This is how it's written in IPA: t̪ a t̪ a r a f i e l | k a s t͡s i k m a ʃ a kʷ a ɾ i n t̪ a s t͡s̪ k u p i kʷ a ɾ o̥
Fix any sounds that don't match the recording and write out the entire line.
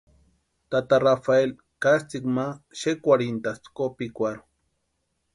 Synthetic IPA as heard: t̪ a t̪ a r a f a e l | k a s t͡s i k m a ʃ e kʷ a ɾ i n t̪ a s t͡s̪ k o p i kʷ a ɾ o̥